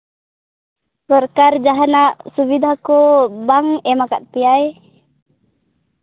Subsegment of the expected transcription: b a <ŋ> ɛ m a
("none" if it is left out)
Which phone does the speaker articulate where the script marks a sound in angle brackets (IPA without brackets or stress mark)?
ŋ